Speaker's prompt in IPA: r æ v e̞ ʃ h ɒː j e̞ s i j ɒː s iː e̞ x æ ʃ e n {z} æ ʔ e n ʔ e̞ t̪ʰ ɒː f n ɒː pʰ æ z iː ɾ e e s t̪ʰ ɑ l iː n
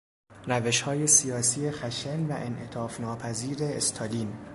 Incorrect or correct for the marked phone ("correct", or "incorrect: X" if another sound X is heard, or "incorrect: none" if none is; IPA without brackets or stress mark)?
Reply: incorrect: v